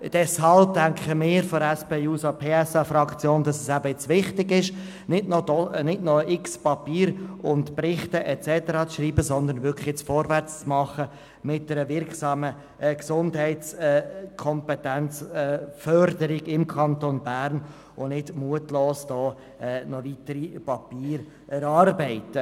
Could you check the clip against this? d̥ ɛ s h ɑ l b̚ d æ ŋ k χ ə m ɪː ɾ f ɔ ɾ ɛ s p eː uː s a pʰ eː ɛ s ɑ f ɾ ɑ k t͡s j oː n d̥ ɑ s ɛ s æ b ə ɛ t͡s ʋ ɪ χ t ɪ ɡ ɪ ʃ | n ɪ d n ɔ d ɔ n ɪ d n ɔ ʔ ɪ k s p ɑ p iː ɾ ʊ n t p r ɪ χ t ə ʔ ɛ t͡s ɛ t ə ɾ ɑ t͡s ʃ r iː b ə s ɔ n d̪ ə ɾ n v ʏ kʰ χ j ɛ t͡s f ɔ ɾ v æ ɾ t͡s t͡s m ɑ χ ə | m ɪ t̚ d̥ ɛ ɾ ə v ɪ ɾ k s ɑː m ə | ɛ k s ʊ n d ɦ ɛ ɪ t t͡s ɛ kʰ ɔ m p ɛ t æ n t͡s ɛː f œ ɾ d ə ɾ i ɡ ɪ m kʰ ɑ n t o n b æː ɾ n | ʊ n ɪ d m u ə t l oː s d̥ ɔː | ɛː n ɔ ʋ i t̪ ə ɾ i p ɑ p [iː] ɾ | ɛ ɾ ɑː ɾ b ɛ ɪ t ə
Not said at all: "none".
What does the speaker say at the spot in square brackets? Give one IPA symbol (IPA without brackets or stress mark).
iː